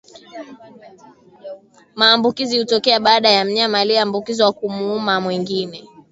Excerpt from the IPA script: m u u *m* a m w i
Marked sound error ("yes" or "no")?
no